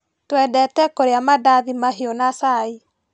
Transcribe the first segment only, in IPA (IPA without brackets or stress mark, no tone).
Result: t